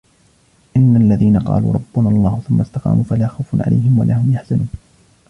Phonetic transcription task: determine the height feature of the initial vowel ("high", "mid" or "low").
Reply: high